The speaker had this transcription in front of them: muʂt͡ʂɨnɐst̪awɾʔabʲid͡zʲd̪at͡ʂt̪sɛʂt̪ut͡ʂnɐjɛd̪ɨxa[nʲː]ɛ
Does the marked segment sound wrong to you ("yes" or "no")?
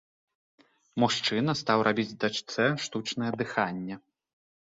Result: no